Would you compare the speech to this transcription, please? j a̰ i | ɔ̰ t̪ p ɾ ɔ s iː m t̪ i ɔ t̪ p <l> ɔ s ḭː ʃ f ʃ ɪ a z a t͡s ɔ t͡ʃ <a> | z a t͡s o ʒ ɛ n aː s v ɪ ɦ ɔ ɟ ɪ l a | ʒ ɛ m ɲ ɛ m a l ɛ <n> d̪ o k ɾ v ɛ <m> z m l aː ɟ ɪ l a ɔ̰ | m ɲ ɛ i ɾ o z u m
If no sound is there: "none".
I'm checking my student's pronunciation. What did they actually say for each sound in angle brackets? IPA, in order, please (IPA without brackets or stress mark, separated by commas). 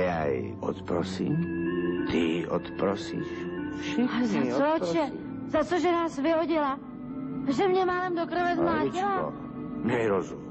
ɾ, ɛ, m, none